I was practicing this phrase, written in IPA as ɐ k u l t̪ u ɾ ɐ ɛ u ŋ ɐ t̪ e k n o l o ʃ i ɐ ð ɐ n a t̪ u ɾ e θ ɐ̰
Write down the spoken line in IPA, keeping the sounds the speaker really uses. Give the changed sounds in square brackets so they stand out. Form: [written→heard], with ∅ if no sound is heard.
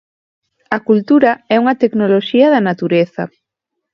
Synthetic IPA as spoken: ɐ k u l t̪ u ɾ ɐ ɛ u ŋ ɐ t̪ e k n o l o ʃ i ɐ ð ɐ n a t̪ u ɾ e θ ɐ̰